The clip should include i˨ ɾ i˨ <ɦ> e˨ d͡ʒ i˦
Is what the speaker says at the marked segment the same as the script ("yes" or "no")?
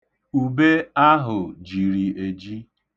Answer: no